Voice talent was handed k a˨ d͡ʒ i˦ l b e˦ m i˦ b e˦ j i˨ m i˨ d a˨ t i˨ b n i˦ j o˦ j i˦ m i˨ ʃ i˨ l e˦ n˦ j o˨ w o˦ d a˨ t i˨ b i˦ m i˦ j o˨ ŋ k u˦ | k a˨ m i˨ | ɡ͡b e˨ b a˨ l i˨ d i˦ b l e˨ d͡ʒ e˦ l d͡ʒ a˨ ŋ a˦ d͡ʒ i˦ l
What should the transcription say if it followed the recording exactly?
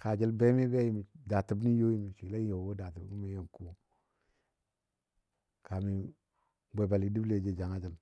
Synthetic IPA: k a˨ d͡ʒ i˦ l b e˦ m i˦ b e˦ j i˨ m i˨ d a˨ t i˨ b n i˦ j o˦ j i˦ m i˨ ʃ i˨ l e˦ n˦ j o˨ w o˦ d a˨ t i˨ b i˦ m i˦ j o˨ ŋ k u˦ | k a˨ m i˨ | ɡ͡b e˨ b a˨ l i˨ d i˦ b l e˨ d͡ʒ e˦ d͡ʒ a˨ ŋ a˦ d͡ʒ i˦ l